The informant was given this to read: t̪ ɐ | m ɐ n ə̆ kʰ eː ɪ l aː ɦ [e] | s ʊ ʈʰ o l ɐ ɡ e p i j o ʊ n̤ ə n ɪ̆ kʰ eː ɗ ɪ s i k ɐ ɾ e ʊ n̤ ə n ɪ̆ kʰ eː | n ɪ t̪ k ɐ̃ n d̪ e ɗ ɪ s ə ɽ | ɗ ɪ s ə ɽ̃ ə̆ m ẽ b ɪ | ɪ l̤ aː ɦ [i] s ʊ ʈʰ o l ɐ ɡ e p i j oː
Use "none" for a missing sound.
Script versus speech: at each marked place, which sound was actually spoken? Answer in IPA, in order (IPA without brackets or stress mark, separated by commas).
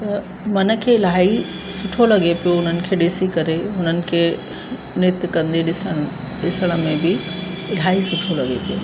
i, i